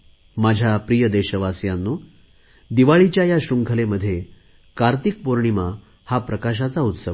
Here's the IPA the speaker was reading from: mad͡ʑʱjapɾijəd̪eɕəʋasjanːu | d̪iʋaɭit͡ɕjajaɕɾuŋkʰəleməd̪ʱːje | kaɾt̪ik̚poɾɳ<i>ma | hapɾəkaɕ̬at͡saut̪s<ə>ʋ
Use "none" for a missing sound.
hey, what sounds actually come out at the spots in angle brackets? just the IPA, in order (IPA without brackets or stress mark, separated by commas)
i, ə